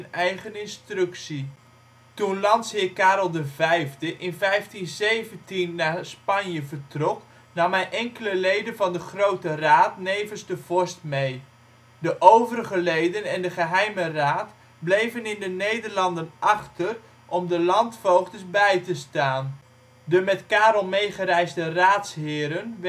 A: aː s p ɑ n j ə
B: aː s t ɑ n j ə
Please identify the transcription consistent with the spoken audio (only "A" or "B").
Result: A